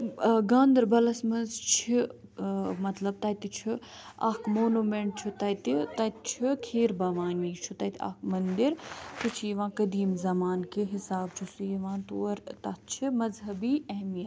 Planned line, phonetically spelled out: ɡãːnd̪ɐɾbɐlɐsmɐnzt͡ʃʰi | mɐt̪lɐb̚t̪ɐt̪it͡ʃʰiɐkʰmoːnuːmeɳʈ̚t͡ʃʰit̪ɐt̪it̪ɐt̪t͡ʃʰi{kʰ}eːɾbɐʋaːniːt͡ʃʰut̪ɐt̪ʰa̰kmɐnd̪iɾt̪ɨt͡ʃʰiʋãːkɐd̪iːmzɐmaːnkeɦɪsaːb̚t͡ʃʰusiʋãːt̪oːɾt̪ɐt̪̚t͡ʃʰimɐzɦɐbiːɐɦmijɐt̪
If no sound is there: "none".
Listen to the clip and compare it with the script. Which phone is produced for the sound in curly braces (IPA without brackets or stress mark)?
kʰ